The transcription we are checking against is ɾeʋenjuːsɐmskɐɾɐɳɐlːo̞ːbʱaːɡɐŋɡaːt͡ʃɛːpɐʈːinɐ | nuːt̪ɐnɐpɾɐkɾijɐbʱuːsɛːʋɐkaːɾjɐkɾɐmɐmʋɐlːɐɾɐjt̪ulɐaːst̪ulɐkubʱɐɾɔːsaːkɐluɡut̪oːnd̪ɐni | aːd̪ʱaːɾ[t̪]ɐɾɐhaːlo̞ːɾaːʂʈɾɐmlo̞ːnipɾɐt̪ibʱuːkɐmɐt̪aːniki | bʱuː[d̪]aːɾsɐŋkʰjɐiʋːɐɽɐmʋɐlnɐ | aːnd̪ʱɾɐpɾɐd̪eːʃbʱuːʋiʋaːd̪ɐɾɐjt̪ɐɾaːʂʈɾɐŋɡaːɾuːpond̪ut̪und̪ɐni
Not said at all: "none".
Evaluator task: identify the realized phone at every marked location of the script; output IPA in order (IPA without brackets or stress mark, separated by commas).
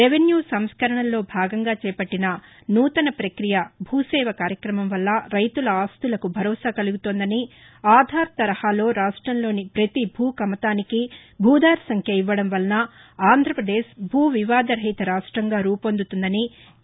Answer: t̪, d̪